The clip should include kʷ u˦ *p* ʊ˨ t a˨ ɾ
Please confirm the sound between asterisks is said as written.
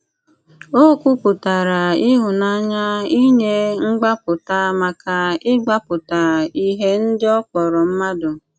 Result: yes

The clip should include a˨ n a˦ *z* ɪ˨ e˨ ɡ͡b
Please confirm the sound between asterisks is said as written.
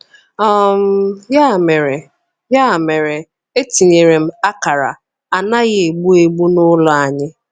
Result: no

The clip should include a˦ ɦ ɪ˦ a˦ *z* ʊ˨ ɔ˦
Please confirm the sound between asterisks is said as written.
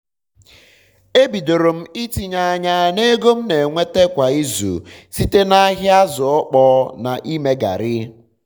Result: yes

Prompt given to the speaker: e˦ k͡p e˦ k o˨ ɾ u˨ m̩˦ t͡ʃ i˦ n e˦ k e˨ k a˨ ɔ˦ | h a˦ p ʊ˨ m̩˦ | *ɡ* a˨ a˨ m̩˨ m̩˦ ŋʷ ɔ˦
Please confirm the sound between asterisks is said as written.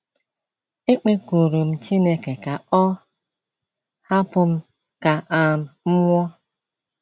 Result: no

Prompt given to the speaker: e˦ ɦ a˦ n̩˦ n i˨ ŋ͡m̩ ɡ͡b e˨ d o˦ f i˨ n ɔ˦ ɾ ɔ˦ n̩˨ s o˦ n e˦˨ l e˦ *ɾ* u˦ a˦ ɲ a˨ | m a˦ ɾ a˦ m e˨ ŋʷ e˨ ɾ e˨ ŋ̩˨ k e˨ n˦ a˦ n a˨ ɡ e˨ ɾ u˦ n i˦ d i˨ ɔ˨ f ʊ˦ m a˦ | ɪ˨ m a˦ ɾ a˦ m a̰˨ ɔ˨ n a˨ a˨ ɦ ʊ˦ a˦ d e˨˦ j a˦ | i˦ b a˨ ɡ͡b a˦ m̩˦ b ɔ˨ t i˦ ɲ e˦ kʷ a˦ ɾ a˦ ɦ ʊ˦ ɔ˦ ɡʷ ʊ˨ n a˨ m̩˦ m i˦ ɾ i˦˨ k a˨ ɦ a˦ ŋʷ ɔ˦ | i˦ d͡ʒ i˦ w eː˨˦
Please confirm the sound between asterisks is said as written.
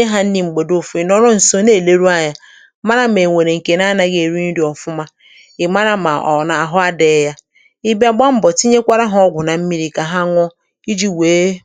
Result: yes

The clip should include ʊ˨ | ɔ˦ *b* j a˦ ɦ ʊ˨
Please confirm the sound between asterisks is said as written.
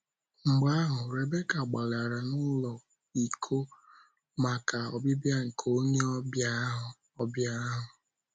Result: yes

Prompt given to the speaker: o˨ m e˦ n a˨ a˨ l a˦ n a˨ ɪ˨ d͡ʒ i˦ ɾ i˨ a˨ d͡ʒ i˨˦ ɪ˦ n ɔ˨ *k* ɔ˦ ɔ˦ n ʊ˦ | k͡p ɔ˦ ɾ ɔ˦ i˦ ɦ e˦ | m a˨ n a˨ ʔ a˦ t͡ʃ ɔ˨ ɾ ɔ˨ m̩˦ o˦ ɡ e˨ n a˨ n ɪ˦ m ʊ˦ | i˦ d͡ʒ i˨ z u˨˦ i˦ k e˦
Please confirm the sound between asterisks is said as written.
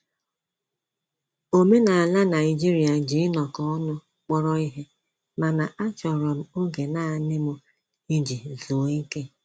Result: yes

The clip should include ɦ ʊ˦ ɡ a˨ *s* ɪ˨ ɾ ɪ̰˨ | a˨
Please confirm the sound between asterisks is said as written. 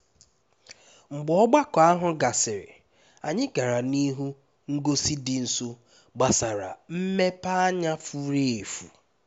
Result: yes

